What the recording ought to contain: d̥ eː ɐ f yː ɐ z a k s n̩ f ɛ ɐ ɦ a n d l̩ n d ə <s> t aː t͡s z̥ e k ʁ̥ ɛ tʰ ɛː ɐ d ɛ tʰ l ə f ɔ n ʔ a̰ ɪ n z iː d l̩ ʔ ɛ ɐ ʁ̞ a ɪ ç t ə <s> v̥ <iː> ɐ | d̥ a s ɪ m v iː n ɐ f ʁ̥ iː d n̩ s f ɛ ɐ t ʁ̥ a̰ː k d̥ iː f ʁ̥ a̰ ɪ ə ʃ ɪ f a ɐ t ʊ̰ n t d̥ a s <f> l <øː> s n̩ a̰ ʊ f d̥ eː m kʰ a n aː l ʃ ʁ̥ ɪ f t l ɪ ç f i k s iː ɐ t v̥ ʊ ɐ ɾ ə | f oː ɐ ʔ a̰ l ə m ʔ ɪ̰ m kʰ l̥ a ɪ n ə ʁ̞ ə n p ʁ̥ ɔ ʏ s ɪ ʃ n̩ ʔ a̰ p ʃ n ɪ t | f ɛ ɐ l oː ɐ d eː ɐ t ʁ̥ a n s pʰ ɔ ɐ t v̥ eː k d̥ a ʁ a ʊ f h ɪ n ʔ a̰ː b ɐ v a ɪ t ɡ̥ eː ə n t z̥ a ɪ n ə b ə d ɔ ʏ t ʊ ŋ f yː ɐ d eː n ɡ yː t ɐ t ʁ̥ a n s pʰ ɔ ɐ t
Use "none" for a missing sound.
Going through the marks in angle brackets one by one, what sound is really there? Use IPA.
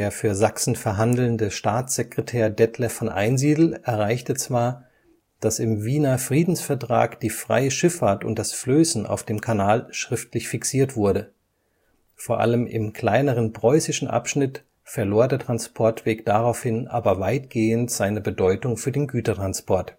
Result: ʃ, t͡s, aː, f, øː

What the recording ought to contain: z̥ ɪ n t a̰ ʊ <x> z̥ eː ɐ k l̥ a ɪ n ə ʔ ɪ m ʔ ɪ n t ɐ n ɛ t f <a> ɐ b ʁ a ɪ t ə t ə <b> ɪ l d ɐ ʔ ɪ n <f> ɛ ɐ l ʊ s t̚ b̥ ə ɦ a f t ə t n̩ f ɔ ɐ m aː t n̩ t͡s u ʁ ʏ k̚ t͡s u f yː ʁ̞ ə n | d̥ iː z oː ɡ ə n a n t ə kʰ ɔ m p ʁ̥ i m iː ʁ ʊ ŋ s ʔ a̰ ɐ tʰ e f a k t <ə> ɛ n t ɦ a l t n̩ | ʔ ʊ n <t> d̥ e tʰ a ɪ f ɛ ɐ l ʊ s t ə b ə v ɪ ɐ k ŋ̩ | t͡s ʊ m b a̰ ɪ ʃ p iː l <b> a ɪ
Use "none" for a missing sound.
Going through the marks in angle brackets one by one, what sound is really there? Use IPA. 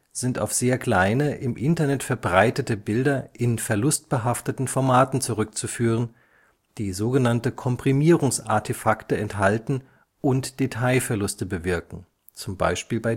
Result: f, ɛ, b, f, ə, t, b

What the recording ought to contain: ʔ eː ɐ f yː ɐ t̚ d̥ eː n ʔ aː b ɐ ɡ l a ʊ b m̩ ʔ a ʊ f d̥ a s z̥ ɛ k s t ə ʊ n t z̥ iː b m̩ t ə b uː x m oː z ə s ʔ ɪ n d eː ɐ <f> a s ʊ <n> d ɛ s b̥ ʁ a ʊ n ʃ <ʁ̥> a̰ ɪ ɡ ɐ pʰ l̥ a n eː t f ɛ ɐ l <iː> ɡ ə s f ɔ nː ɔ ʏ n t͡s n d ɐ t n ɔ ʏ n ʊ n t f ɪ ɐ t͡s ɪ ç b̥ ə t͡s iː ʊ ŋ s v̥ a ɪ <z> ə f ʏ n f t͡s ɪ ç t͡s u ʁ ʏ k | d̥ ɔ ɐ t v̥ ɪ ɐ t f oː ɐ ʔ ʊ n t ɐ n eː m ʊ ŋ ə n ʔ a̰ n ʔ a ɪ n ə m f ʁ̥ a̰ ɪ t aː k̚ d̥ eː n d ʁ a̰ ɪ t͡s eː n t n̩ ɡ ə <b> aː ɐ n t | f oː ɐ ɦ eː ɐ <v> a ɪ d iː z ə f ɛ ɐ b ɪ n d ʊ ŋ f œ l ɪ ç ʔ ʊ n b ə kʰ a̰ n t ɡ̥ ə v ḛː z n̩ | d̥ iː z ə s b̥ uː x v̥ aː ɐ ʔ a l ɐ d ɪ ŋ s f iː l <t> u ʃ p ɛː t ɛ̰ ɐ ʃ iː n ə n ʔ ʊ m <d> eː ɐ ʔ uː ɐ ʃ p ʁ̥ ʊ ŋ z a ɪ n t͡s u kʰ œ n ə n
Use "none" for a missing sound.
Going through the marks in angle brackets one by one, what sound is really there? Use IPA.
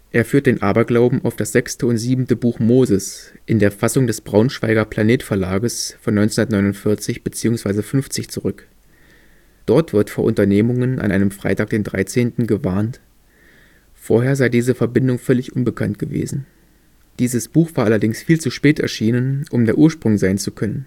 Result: f, ŋ, v̥, aː, z, v, z, t͡s, d

